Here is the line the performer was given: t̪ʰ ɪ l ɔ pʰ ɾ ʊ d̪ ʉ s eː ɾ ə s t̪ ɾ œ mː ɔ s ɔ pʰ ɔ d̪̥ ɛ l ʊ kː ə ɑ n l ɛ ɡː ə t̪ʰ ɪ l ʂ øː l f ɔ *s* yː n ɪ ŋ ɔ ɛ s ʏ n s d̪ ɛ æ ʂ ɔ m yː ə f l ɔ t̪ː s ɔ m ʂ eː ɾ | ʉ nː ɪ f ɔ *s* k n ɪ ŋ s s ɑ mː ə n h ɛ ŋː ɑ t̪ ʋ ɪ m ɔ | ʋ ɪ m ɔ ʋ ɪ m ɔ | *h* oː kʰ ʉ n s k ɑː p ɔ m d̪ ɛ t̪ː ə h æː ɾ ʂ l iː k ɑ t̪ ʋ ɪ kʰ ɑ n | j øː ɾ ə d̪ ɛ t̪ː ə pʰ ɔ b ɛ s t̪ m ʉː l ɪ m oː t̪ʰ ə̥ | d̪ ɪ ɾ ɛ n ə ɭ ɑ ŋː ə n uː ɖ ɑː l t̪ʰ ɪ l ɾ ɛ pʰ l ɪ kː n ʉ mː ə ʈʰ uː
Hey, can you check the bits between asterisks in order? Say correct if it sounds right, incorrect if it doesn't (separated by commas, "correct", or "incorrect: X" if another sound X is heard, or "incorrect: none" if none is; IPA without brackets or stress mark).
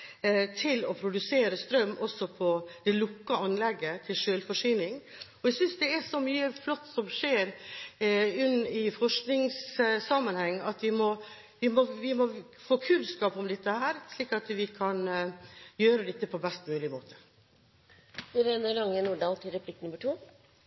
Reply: incorrect: ʂ, incorrect: ʂ, incorrect: f